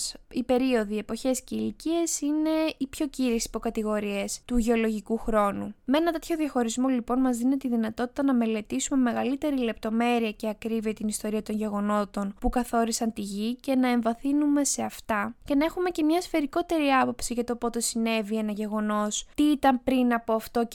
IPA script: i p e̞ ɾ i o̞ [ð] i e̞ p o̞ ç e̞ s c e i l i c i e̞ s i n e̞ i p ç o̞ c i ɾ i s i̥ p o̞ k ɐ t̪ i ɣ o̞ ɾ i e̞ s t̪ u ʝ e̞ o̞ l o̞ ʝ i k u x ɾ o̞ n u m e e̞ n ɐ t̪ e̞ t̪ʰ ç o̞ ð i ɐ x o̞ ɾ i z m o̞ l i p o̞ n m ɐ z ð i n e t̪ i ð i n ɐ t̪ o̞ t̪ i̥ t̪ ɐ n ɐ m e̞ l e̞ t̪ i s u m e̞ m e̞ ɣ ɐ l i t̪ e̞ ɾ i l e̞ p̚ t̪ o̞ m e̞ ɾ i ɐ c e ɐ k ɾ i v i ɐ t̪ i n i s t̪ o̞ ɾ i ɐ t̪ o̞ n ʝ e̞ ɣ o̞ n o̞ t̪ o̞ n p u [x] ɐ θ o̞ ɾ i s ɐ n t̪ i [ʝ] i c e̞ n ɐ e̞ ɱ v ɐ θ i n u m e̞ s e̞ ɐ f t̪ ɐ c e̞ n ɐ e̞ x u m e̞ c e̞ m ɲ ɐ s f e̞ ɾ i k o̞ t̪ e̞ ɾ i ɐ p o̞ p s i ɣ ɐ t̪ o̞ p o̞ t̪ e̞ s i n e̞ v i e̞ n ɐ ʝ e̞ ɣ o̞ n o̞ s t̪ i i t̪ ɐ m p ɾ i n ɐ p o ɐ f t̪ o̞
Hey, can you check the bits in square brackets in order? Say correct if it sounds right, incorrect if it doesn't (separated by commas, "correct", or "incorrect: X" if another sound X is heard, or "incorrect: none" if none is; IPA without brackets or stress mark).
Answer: correct, incorrect: k, correct